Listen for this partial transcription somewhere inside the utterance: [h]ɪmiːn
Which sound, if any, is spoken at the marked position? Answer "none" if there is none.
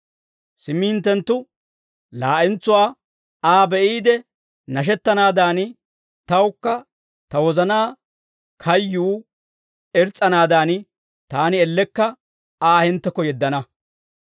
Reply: s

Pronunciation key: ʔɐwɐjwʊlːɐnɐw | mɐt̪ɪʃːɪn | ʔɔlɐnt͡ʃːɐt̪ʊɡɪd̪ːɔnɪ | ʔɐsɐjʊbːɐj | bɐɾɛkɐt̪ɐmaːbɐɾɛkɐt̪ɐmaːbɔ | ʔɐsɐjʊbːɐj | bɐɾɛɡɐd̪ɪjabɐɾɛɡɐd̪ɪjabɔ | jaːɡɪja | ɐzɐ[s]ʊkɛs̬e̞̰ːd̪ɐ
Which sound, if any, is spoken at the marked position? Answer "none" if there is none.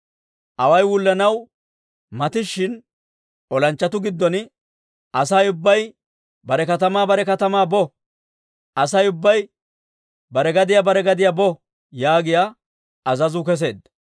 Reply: z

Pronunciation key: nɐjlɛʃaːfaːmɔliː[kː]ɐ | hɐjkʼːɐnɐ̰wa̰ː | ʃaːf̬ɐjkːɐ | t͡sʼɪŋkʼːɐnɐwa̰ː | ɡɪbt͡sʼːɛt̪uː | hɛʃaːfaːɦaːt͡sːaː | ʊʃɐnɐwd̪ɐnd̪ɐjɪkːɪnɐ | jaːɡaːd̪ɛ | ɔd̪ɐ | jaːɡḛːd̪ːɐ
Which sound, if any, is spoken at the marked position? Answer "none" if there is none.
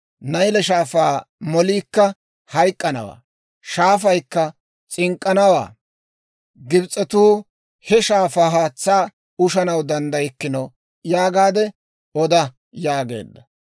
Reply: kː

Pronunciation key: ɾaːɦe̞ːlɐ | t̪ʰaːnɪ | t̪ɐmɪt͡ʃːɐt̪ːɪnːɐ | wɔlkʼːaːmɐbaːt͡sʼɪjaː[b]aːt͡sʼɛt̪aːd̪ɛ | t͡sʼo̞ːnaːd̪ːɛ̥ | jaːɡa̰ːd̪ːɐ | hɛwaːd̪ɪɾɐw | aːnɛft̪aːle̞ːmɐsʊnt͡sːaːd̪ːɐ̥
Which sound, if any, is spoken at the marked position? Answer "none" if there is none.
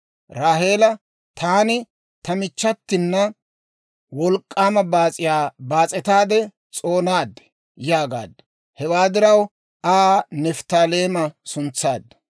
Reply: b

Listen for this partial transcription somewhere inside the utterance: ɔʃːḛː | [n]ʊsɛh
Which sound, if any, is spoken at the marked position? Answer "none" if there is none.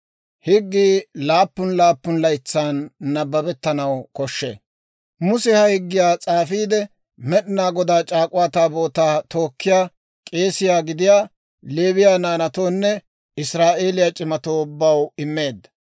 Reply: m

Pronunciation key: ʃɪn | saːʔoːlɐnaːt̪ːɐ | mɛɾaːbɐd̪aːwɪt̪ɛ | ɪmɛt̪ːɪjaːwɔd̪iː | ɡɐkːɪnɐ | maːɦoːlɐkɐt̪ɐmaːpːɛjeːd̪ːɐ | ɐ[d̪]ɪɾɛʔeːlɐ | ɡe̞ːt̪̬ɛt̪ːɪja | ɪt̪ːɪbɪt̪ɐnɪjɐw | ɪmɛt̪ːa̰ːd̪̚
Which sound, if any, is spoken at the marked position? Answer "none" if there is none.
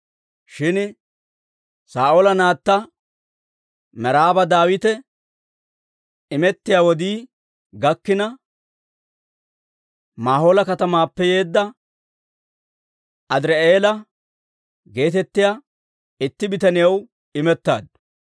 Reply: d̪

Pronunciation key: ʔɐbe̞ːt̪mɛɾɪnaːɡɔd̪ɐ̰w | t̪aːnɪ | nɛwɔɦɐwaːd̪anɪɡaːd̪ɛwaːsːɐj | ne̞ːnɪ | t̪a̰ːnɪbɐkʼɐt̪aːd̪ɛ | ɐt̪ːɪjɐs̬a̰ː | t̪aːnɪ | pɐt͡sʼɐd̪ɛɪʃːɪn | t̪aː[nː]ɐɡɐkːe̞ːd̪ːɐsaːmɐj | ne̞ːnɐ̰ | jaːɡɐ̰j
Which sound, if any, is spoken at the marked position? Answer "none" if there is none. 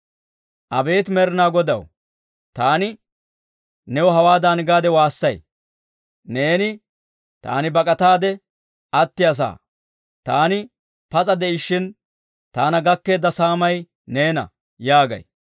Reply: n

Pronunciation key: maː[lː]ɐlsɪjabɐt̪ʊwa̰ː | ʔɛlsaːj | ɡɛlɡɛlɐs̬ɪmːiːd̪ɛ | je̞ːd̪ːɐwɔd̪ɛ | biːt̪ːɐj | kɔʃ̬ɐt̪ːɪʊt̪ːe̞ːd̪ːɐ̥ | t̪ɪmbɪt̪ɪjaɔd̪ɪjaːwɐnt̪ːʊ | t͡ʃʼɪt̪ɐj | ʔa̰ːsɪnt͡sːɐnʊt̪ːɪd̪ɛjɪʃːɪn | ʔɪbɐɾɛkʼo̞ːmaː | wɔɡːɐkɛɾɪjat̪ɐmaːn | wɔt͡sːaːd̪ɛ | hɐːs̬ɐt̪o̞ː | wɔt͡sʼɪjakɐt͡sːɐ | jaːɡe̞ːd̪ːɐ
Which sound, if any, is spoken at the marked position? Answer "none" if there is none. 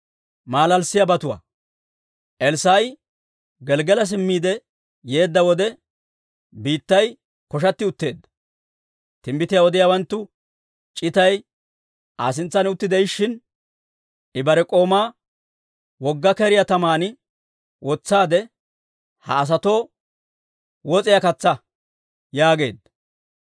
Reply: l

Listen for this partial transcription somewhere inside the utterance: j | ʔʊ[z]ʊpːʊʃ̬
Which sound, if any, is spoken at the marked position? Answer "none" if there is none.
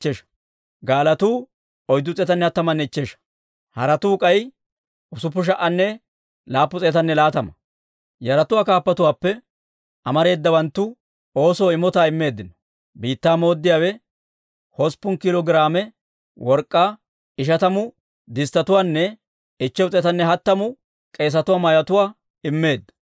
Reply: s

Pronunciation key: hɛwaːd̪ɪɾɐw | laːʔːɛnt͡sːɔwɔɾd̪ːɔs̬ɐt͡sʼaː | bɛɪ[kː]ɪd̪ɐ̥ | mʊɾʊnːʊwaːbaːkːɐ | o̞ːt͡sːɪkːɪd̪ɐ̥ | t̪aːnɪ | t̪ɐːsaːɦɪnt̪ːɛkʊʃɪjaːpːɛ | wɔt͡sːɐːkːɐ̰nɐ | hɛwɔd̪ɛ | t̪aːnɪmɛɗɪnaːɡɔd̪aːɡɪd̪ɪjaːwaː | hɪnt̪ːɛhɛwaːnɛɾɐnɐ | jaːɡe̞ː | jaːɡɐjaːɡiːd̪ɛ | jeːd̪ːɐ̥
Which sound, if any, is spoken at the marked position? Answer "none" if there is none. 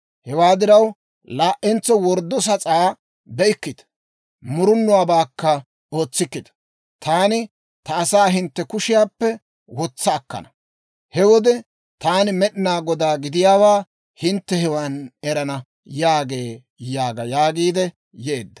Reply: kː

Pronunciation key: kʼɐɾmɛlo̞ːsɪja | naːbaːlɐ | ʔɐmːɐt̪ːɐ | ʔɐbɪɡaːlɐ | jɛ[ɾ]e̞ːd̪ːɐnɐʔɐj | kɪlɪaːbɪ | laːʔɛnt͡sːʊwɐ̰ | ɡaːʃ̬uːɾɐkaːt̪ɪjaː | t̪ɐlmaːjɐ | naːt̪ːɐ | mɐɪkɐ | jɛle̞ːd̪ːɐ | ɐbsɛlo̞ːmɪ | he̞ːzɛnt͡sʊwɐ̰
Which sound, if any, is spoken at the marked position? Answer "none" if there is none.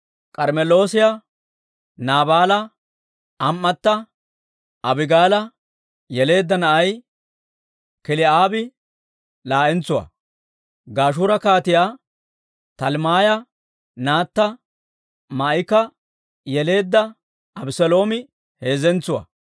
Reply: l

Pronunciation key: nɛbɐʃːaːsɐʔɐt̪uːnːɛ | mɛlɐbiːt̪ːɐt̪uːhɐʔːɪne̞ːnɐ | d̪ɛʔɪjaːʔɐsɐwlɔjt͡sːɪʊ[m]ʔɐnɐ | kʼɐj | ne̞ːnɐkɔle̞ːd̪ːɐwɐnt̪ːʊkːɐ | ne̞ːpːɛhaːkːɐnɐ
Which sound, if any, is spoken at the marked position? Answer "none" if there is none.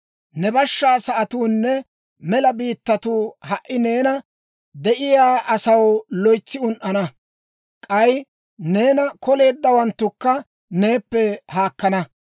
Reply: n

